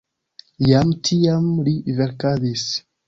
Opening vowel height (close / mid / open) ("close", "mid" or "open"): open